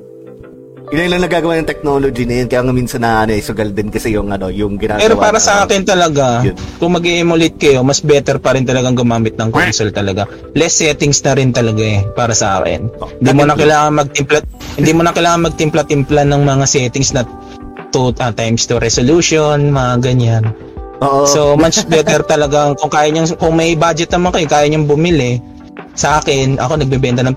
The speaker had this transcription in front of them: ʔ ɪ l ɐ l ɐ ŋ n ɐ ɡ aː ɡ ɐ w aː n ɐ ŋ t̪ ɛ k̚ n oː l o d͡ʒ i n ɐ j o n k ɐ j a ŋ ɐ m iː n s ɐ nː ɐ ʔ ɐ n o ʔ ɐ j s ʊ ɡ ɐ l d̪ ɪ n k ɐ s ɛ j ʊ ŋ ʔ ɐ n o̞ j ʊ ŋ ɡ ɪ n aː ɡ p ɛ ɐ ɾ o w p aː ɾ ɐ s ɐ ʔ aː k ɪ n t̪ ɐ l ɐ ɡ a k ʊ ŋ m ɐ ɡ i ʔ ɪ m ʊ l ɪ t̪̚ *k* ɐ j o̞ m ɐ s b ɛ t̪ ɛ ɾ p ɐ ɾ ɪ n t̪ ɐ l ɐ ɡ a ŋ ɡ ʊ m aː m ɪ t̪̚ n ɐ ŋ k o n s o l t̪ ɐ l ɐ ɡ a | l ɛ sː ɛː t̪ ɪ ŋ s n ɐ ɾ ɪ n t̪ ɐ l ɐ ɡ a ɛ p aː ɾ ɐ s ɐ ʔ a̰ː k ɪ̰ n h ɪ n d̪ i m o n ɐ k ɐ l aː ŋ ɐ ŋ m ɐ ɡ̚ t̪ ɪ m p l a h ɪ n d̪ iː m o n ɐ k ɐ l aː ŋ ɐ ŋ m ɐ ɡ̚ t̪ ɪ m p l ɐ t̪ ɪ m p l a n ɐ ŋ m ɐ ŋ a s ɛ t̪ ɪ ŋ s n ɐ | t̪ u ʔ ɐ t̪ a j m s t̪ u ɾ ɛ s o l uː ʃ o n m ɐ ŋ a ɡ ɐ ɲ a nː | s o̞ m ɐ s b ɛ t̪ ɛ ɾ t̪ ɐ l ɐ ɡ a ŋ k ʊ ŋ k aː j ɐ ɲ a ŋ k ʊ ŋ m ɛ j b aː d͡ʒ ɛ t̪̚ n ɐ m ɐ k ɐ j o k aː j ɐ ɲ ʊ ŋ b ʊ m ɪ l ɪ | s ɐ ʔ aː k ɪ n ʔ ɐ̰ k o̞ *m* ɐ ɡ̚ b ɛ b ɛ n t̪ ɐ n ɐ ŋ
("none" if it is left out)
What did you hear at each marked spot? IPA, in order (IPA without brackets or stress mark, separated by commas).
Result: k, n